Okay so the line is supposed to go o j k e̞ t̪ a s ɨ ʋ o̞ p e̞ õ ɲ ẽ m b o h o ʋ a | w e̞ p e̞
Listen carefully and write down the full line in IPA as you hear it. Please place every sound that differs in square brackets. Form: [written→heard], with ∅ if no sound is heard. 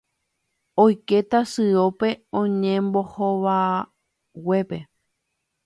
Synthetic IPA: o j k e̞ t̪ a s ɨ [ʋ→∅] o̞ p e̞ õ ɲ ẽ m b o h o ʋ a | w e̞ p e̞